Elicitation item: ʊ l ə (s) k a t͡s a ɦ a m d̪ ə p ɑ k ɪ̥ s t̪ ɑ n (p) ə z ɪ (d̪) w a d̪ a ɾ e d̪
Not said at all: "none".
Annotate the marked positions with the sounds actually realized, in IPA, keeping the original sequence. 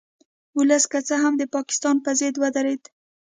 s, p, d̪

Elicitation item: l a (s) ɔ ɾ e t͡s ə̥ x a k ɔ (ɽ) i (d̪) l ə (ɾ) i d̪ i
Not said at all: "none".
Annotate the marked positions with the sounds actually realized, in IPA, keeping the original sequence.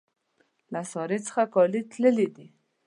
s, l, t̪, l

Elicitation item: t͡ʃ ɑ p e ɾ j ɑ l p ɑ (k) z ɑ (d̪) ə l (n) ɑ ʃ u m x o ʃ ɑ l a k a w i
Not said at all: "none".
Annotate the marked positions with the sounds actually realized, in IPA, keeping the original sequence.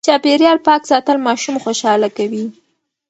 k, t̪, m

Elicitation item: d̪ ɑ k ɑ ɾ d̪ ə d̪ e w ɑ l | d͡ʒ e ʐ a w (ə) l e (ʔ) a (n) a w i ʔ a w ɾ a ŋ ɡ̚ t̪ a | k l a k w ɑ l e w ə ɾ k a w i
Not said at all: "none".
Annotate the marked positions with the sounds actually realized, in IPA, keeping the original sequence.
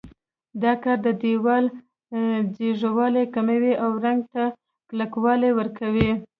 ɑ, k, m

